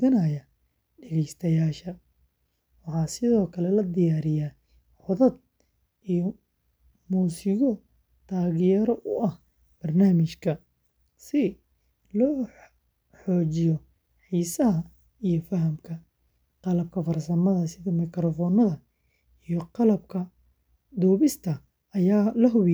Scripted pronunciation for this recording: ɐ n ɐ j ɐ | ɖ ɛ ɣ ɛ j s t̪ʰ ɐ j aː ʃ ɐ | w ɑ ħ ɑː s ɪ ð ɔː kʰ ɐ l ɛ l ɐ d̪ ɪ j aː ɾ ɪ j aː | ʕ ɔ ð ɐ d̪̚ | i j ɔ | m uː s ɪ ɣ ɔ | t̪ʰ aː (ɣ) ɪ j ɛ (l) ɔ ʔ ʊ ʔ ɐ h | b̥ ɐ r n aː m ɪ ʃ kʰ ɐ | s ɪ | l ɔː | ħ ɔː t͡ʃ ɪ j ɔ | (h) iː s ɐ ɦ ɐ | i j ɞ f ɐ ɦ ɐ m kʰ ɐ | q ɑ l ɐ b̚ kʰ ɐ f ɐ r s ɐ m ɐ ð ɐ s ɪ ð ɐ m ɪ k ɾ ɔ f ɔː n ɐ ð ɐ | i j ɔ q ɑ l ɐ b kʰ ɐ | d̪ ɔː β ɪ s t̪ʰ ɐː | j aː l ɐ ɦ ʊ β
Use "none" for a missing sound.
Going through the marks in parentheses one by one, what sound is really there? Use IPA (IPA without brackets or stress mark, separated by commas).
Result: ɣ, ɾ, ħ